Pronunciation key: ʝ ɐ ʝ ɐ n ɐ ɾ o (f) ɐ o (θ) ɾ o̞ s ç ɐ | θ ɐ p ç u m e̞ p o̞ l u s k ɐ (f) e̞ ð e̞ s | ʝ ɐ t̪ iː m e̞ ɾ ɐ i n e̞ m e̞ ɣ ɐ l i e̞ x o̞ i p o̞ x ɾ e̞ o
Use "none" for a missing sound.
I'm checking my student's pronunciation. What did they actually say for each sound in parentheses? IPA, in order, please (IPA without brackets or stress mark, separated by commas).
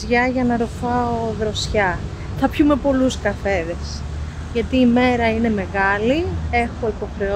f, ð, f